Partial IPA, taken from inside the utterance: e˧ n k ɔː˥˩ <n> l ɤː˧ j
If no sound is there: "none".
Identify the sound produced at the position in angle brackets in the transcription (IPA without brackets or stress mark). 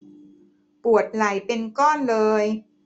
n